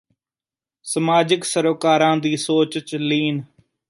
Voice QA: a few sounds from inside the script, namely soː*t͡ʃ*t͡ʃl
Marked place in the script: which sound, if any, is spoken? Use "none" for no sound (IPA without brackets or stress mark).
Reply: t͡ʃ